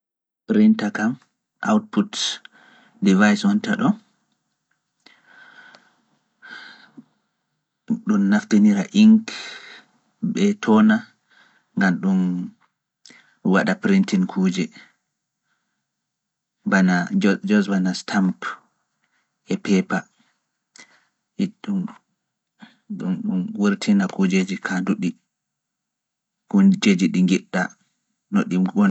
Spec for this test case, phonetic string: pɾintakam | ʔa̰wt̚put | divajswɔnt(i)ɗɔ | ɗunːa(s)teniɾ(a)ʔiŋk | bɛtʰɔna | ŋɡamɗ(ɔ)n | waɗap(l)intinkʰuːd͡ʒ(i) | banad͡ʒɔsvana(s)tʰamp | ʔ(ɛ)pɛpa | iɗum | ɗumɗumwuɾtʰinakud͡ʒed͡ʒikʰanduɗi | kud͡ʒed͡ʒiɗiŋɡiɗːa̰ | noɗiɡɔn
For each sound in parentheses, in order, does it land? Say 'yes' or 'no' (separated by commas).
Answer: no, no, yes, no, no, no, yes, yes